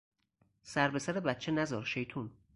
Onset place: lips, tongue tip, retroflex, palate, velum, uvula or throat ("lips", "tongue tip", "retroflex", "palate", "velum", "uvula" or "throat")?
tongue tip